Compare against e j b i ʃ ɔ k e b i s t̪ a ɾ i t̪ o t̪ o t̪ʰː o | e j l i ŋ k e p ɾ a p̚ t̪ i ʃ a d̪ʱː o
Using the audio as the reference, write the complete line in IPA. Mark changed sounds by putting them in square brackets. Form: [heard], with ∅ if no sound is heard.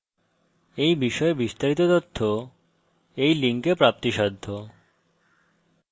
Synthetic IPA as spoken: e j b i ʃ ɔ [∅] e b i s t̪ a ɾ i t̪ o t̪ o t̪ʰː o | e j l i ŋ k e p ɾ a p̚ t̪ i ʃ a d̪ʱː o